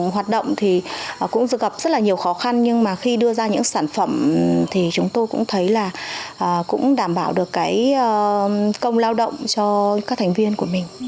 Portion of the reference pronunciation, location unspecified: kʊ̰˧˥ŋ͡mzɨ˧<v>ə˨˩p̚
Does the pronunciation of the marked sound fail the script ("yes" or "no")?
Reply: yes